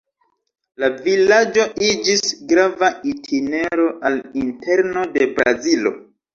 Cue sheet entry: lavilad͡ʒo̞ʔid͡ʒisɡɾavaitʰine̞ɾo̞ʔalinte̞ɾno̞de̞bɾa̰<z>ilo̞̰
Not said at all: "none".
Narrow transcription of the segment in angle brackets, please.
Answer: z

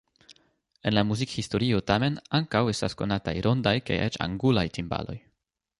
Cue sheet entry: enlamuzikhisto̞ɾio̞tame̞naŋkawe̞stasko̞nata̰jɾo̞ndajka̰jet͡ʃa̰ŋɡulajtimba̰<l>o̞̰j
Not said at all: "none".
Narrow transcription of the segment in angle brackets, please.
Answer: l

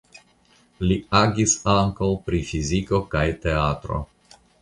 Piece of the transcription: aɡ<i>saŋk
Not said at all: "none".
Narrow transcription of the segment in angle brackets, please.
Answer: i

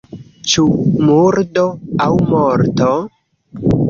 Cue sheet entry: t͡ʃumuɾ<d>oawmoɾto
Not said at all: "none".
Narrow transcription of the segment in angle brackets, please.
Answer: d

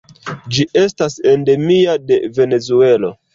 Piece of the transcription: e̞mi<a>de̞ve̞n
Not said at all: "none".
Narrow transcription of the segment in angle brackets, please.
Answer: a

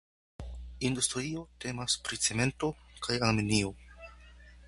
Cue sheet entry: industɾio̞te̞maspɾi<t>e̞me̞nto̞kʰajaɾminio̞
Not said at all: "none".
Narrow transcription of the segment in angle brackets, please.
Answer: t͡s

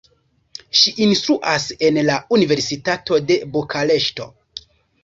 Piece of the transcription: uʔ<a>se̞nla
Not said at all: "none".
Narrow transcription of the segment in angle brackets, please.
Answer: a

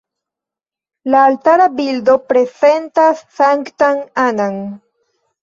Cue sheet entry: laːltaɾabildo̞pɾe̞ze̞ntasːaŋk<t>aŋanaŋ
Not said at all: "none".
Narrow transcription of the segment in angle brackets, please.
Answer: t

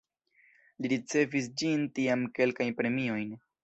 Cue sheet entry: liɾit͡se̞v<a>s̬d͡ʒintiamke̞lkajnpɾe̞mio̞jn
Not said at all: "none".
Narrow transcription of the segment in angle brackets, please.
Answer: i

